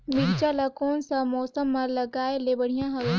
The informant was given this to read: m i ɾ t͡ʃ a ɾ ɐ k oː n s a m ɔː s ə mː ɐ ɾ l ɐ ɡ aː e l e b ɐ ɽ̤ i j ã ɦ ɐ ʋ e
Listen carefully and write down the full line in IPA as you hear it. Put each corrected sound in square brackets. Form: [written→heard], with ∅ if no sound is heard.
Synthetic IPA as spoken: m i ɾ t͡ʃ a [ɾ→l] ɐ k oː n s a m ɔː s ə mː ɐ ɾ l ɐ ɡ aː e l e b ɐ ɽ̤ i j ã ɦ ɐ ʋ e